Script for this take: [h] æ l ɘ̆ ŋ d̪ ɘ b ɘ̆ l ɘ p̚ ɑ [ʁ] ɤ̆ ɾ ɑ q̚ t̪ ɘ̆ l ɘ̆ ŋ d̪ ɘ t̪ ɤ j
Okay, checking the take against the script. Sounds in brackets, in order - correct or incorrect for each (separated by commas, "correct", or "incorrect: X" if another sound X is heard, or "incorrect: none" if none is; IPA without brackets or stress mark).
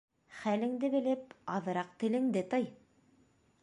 incorrect: χ, incorrect: ð